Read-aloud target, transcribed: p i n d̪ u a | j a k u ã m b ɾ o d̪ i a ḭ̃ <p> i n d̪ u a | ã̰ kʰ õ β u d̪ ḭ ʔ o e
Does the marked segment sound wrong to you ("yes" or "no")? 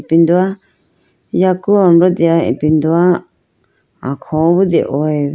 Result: no